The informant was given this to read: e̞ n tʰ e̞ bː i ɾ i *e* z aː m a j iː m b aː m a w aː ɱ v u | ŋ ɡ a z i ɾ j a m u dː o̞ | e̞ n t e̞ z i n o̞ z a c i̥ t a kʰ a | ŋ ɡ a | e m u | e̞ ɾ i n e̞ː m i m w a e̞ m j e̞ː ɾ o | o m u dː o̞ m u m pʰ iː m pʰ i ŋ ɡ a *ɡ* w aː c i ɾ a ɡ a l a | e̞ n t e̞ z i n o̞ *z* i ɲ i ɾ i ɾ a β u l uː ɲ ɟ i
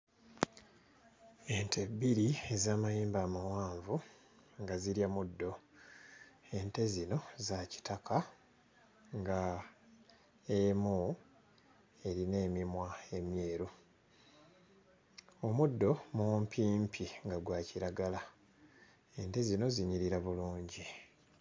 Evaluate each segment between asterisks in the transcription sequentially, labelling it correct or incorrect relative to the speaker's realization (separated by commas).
correct, correct, correct